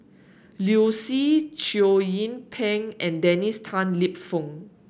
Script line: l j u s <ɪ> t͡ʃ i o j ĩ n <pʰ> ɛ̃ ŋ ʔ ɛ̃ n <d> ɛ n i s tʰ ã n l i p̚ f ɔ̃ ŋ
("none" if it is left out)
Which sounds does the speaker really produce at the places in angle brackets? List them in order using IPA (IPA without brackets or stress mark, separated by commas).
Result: i, pʰ, d